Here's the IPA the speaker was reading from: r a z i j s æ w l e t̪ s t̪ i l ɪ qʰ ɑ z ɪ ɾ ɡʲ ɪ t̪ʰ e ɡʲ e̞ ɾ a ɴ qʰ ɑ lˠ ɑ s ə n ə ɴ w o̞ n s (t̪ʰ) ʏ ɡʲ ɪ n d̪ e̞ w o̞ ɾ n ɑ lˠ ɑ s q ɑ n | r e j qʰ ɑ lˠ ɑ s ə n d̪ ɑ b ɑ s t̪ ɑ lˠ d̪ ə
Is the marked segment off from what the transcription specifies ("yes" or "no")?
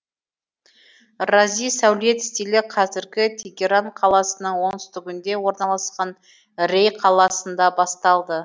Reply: yes